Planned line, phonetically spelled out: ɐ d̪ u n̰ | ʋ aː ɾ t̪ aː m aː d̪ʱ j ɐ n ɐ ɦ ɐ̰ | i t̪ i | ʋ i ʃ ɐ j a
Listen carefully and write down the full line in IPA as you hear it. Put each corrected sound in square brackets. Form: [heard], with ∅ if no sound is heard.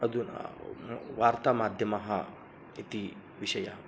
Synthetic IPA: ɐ d̪ u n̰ | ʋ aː ɾ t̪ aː m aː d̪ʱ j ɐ [m] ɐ ɦ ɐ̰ | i t̪ i | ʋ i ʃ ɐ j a